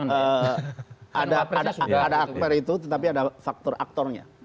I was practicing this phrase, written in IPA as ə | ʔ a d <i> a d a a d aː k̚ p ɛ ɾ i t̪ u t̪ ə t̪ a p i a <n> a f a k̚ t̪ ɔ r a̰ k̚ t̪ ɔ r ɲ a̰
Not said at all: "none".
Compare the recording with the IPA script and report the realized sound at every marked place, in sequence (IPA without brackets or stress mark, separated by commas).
a, d